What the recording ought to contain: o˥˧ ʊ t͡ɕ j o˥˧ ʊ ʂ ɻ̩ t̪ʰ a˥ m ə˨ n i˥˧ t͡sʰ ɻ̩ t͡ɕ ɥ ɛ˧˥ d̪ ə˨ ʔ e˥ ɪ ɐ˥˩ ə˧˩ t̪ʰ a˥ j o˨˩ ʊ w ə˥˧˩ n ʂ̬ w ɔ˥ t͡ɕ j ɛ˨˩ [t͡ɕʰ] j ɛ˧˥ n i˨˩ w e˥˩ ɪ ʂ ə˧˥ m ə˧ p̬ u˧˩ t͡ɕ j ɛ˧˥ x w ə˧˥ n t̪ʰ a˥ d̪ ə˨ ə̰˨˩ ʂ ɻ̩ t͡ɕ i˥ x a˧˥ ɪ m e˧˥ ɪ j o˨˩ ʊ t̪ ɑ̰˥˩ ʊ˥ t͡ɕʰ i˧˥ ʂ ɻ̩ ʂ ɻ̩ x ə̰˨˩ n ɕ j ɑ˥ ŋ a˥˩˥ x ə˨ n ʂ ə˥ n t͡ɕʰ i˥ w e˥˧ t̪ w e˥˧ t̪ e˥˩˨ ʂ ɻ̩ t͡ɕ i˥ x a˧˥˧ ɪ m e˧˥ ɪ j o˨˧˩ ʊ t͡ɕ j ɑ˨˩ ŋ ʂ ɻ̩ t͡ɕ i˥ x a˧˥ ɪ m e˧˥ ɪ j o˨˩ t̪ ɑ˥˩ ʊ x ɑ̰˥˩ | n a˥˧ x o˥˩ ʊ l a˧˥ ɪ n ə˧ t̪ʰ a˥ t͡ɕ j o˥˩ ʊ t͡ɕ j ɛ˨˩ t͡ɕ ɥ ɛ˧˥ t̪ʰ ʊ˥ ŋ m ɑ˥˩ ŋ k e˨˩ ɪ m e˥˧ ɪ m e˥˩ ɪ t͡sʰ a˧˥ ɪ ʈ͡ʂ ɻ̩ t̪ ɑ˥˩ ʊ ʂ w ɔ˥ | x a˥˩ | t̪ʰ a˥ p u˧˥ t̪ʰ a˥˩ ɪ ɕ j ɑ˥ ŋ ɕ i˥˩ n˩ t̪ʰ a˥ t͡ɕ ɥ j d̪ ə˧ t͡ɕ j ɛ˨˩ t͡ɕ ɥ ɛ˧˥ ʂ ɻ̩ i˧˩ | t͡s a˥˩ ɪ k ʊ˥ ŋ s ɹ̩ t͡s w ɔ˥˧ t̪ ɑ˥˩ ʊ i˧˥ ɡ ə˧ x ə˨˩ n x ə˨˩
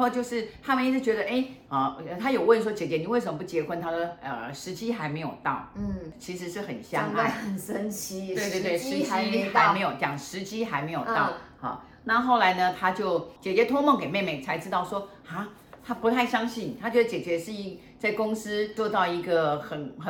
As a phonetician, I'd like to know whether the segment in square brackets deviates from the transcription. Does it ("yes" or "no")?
yes